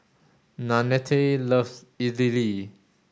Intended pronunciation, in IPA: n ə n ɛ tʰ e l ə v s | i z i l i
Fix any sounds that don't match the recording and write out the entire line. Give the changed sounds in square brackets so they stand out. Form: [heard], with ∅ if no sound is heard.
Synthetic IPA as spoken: n [a] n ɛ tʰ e l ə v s | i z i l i